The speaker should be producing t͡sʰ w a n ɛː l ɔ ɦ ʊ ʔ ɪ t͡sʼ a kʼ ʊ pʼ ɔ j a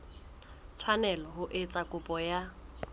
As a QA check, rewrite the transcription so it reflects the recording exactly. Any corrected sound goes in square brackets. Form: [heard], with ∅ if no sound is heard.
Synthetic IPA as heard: t͡sʰ w a n [ɛ] l ɔ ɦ ʊ ʔ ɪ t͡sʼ a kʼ ʊ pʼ ɔ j a